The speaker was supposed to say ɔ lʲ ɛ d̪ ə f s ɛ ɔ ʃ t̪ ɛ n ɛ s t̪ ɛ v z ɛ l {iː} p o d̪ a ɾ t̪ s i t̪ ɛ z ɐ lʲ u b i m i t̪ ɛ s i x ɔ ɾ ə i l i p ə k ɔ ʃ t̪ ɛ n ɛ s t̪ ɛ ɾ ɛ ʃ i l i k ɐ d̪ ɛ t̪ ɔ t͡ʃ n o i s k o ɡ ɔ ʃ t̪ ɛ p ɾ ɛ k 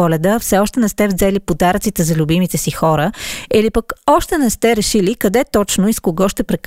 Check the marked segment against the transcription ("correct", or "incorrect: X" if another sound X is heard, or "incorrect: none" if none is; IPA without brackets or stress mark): incorrect: i